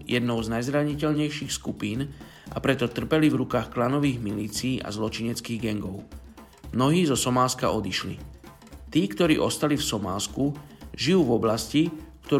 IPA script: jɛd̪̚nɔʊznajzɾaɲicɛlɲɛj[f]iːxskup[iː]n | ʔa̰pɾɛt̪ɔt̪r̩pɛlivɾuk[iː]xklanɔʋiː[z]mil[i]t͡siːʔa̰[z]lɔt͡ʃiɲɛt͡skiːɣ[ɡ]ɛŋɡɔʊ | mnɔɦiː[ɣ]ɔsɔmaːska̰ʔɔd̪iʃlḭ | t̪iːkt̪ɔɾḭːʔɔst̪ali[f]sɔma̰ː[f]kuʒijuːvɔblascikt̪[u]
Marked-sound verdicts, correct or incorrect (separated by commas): incorrect, correct, incorrect, incorrect, incorrect, correct, correct, incorrect, correct, incorrect, incorrect